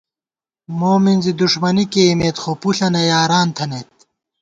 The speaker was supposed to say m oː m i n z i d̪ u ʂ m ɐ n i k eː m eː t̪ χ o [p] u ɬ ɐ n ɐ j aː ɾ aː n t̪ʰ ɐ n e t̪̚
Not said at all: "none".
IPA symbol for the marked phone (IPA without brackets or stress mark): p